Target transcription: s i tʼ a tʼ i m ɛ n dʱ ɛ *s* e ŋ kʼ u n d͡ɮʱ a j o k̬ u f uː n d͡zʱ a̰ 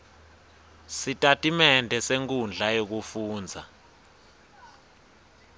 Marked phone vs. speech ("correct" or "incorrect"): correct